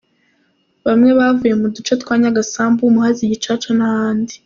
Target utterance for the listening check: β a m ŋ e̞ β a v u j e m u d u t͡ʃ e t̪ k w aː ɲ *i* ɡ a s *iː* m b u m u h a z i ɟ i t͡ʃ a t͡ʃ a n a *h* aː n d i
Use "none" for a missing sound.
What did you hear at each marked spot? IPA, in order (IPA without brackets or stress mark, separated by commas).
a, aː, h